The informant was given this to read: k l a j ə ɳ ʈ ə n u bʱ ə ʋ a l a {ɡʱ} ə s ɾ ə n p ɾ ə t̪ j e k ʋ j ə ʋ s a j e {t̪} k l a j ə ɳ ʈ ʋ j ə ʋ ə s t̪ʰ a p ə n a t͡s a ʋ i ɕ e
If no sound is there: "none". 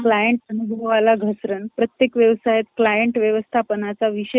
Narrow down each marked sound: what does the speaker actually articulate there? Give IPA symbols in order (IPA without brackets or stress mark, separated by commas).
ɡʱ, t̪